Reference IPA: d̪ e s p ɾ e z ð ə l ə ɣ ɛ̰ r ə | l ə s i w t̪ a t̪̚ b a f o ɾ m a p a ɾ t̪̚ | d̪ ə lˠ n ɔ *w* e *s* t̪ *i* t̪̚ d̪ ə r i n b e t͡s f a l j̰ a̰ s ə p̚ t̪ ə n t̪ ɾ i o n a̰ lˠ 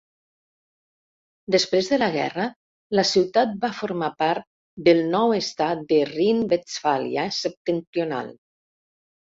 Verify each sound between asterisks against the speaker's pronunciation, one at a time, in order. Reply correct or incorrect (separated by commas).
correct, correct, incorrect